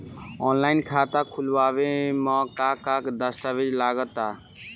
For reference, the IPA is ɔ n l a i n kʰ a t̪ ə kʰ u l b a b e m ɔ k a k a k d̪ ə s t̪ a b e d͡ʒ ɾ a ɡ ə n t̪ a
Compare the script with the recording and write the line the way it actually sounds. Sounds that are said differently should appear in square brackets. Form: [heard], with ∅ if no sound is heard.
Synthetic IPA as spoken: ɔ n l a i n kʰ a t̪ [a] kʰ u l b a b e m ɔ k a k a k d̪ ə s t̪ a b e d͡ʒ [l] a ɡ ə [∅] t̪ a